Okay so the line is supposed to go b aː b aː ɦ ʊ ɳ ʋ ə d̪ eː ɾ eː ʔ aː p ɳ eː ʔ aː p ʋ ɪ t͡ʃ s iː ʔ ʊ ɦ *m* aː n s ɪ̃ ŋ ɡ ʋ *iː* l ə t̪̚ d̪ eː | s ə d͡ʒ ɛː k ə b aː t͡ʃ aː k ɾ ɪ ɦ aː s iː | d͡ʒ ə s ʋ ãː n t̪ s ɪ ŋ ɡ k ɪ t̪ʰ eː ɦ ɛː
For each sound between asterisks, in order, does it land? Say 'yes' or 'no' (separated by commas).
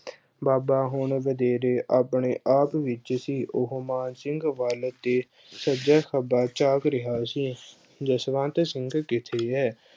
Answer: yes, no